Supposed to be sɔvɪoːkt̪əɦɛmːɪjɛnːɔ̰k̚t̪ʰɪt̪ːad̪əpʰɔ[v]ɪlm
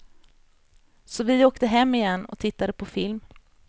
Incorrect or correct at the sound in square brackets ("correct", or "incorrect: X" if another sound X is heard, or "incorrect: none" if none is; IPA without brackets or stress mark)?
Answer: incorrect: f